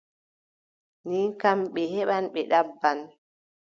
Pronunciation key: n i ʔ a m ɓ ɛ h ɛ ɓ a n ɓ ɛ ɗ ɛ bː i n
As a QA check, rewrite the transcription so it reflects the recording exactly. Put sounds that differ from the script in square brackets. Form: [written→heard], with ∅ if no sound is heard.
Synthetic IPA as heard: n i [ʔ→k] a m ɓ ɛ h ɛ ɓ a n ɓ ɛ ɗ [ɛ→a] bː [i→a] n

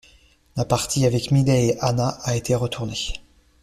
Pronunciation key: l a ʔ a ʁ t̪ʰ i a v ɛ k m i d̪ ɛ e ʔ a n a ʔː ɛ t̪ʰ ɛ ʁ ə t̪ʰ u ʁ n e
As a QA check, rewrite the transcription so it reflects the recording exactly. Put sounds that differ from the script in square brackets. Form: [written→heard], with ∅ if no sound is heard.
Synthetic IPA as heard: l a [ʔ→p] a ʁ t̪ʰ i a v ɛ k m i d̪ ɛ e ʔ a n a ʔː [ɛ→e] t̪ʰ [ɛ→e] ʁ ə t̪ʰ u ʁ n e

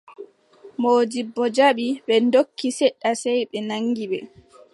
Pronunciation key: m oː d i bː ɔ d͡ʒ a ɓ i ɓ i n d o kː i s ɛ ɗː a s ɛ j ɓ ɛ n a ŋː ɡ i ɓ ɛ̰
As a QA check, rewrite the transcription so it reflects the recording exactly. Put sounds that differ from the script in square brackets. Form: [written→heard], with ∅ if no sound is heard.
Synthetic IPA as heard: m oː [d→d͡ʒ] i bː ɔ d͡ʒ a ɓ i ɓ [i→ɛ] n d o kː i s ɛ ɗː a s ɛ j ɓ ɛ n a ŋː ɡ i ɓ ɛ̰

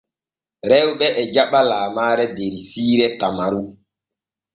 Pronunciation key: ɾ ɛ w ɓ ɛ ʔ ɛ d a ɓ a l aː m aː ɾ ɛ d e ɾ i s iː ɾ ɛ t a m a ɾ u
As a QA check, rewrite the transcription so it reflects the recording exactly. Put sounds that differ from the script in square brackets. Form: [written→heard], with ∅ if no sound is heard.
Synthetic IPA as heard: ɾ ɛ w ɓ ɛ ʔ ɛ [d→d͡ʒ] a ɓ a l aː m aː ɾ ɛ d e ɾ i s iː ɾ ɛ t a m a ɾ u

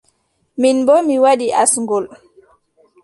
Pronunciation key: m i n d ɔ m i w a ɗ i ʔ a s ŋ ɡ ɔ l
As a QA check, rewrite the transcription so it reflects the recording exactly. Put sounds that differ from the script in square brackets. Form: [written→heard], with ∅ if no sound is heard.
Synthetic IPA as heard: m i n [d→b] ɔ m i w a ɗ i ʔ a s ŋ ɡ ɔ l

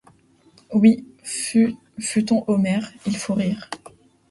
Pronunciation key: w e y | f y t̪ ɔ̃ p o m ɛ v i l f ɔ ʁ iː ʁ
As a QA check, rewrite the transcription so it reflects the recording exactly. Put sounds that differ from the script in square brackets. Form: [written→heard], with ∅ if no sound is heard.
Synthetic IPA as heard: w [e→i] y | f y t̪ ɔ̃ [p→ʔ] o m ɛ [v→ʁ] i l f [ɔ→o] ʁ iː ʁ

